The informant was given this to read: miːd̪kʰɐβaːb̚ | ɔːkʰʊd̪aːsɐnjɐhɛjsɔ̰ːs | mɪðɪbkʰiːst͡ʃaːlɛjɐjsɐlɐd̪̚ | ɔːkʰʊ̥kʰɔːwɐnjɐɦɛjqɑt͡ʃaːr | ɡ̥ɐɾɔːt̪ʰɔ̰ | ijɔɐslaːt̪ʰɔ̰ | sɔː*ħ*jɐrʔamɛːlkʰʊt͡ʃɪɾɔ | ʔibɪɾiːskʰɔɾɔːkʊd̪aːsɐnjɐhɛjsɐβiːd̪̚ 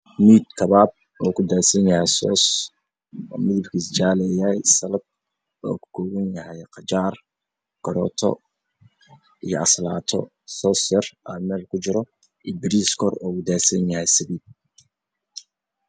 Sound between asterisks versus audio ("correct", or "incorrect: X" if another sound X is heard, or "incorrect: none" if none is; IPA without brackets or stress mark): incorrect: s